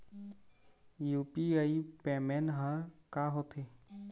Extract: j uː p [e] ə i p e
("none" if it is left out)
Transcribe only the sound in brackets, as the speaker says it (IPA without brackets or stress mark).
i